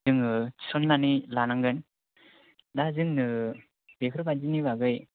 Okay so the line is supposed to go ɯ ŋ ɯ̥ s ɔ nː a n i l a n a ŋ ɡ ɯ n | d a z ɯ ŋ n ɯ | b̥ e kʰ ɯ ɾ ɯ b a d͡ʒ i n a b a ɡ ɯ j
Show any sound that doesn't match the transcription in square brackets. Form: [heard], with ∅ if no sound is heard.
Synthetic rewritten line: ɯ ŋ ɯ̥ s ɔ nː a n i l a n a ŋ ɡ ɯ n | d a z ɯ ŋ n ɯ | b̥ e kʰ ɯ ɾ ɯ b a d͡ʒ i n [i] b a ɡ ɯ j